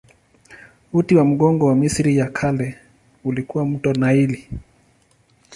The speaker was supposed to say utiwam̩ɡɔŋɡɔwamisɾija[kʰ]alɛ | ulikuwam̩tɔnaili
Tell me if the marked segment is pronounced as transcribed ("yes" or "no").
yes